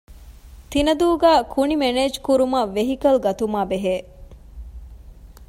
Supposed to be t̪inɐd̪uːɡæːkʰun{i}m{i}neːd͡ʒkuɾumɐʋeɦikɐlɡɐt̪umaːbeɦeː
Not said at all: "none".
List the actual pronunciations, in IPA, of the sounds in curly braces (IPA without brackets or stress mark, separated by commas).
i, e